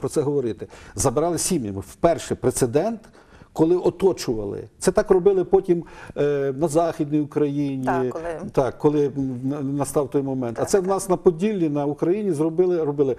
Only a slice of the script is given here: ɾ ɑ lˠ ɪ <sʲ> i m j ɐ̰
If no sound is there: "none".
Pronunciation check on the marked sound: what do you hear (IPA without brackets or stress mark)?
sʲ